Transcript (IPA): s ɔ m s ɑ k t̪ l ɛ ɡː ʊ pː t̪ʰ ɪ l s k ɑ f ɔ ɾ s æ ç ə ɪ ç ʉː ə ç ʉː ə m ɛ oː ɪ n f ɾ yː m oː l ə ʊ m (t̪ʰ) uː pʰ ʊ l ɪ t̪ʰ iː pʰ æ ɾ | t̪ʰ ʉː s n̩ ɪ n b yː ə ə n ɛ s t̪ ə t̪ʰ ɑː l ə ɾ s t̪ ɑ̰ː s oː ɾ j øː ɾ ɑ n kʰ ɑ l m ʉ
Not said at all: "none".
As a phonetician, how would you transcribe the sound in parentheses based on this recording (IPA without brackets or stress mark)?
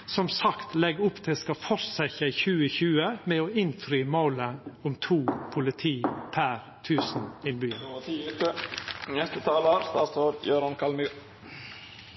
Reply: t̪ʰ